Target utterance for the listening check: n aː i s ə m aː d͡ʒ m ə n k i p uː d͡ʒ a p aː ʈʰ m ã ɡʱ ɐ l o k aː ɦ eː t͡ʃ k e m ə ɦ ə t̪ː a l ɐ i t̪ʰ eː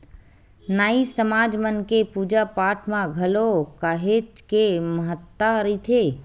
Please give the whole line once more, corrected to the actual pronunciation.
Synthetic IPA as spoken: n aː i s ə m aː d͡ʒ m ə n k e p uː d͡ʒ a p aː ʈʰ m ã ɡʱ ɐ l o k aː ɦ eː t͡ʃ k e m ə ɦ ə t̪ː a ɾ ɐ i t̪ʰ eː